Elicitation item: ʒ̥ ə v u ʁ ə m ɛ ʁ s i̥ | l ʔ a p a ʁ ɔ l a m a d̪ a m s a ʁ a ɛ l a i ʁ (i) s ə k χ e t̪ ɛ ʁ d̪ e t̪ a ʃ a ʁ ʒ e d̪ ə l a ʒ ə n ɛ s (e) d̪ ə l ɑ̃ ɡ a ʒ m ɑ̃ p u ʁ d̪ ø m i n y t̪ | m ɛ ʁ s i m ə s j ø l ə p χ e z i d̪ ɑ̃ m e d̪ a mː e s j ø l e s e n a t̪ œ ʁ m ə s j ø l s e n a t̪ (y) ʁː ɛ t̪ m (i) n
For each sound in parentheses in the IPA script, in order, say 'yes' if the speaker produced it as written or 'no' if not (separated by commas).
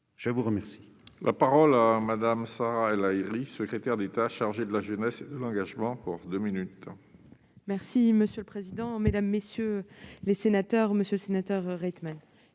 yes, yes, no, no